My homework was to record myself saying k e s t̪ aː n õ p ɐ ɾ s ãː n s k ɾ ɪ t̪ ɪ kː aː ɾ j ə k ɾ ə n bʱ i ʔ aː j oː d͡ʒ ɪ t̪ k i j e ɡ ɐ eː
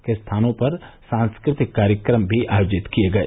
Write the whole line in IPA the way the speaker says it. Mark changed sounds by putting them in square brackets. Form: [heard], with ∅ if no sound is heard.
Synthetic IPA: k e s [t̪ʰ] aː n õ p ɐ ɾ s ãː n s k ɾ ɪ t̪ ɪ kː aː ɾ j ə k ɾ ə [m] bʱ i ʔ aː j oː d͡ʒ ɪ t̪ k i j e ɡ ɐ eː